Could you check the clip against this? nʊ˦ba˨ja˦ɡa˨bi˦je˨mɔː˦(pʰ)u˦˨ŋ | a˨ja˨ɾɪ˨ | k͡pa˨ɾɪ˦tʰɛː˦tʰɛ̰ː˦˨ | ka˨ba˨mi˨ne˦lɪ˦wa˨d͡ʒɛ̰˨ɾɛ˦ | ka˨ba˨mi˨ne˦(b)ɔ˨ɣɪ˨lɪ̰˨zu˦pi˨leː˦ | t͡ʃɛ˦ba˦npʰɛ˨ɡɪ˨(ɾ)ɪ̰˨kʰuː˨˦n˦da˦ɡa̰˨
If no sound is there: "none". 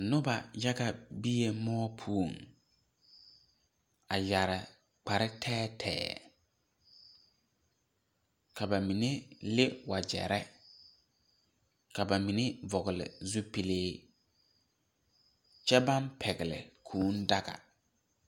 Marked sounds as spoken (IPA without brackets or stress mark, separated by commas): pʰ, v, l